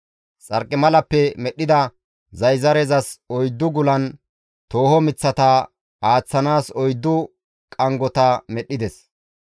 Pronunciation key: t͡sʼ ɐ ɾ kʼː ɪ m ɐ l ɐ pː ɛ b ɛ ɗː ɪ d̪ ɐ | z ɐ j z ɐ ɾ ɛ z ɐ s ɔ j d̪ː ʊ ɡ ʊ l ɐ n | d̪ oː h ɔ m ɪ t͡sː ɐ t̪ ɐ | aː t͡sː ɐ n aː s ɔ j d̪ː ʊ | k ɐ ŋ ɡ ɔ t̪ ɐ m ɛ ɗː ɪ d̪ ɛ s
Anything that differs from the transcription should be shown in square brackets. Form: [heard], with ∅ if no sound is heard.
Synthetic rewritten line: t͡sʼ ɐ ɾ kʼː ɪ m ɐ l ɐ pː ɛ [m] ɛ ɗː ɪ d̪ ɐ | z ɐ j z ɐ ɾ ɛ z ɐ s ɔ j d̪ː ʊ ɡ ʊ l ɐ n | [t̪] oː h ɔ m ɪ t͡sː ɐ t̪ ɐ | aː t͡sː ɐ n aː s ɔ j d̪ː ʊ | [kʼ] ɐ ŋ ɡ ɔ t̪ ɐ m ɛ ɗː ɪ d̪ ɛ s